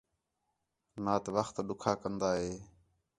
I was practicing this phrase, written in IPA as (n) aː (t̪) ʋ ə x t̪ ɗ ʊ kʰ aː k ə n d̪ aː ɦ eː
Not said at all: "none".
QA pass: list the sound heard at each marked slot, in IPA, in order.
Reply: n, t̪

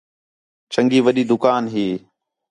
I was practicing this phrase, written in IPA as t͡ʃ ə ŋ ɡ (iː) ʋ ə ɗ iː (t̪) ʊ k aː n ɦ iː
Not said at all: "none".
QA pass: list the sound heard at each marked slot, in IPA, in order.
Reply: iː, d̪

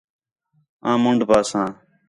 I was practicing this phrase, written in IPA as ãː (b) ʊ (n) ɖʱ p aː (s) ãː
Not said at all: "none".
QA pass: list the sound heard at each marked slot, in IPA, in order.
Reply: m, ɳ, s

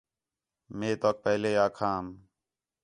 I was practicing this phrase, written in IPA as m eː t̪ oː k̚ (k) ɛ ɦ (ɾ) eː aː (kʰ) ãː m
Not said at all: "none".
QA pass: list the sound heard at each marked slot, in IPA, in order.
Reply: p, l, kʰ

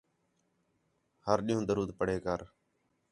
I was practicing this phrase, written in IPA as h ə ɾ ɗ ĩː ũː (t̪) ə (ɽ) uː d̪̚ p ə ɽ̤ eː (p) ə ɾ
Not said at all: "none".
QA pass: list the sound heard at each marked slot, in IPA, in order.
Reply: d̪, ɾ, k

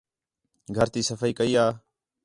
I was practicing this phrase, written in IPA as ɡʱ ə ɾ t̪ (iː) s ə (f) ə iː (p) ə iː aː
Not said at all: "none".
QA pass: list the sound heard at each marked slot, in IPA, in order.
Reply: iː, f, k

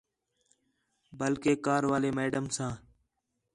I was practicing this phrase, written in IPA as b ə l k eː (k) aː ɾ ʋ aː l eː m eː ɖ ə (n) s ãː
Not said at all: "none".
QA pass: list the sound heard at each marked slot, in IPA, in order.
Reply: k, m

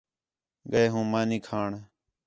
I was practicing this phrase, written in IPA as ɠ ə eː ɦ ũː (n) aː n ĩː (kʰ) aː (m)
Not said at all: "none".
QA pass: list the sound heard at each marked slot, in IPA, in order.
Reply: m, kʰ, ɳ

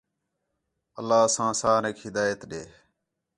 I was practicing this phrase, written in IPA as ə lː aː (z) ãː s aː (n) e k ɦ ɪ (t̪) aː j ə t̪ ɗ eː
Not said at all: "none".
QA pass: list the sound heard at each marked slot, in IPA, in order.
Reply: s, n, d̪

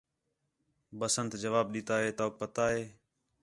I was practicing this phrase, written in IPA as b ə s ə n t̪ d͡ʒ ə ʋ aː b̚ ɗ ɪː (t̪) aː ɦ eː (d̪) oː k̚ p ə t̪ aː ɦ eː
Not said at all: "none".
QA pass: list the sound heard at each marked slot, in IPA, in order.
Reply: t̪, t̪

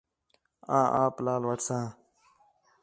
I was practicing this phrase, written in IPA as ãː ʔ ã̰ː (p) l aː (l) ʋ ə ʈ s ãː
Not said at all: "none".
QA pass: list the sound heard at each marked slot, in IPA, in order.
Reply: p, l

